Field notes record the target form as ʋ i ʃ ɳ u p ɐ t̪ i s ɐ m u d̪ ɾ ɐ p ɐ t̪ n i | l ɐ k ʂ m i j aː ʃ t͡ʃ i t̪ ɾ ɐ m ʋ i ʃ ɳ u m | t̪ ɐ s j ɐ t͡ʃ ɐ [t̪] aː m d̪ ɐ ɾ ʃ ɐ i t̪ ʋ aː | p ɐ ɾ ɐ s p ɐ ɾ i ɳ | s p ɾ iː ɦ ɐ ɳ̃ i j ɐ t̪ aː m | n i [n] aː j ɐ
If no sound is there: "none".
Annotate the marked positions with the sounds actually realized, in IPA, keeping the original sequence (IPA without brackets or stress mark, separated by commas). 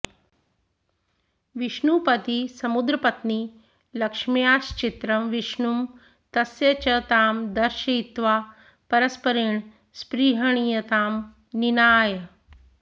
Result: t̪, n